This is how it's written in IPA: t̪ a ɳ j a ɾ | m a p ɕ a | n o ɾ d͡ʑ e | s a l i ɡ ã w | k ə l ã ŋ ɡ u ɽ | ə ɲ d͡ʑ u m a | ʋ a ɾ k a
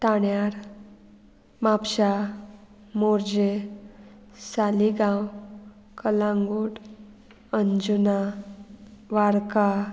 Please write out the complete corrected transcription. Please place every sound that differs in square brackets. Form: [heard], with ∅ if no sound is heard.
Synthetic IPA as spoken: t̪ a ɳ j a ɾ | m a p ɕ a | [m] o ɾ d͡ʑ e | s a l i ɡ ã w | k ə l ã ŋ ɡ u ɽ | ə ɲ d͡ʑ u [n] a | ʋ a ɾ k a